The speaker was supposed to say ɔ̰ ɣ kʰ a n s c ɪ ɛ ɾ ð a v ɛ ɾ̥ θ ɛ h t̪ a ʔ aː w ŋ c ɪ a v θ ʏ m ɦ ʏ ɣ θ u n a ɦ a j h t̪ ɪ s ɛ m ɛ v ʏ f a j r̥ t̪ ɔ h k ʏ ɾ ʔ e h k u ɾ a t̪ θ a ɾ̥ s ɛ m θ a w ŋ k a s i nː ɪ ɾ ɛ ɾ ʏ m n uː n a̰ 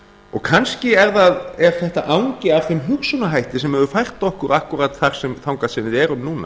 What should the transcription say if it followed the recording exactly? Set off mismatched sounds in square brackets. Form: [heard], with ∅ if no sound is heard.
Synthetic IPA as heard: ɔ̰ ɣ kʰ a n s c ɪ ɛ ɾ ð a [ð] ɛ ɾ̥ θ ɛ h t̪ a ʔ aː w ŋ c ɪ a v θ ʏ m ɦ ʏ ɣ [s] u n a ɦ a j h t̪ ɪ s ɛ m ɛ v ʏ f a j r̥ t̪ ɔ h k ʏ ɾ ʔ [a] h k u ɾ a t̪ θ a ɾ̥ s ɛ m θ a w ŋ k a s [ɪ] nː ɪ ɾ ɛ ɾ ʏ m n uː n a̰